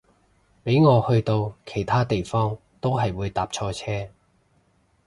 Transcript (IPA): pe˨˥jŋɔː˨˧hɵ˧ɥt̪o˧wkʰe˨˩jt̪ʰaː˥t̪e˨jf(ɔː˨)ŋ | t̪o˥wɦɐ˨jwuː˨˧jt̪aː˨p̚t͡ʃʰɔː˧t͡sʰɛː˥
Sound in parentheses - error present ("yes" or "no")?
yes